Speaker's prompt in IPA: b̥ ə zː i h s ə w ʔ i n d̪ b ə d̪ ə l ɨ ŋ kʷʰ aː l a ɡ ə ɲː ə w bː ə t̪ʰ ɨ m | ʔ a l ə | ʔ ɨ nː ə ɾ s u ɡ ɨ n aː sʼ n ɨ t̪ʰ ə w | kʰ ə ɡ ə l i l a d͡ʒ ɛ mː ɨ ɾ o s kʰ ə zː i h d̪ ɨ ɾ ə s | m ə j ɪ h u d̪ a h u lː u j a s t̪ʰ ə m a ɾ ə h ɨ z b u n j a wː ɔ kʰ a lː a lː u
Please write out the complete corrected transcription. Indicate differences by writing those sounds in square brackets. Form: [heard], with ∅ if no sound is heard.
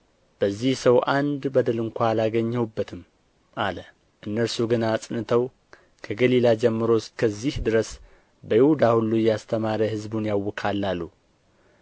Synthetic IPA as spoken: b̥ ə zː i h s ə w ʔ [a] n d̪ b ə d̪ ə l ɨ ŋ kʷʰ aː l a ɡ ə ɲː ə w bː ə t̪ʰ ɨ m | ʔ a l ə | ʔ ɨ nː ə ɾ s u ɡ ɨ n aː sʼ n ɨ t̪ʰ ə w | kʰ ə ɡ ə l i l a d͡ʒ ɛ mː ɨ ɾ o s kʰ ə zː i h d̪ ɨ ɾ ə s | [b] ə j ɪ h u d̪ a h u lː u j a s t̪ʰ ə m a ɾ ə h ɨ z b u n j a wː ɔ kʰ a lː a lː u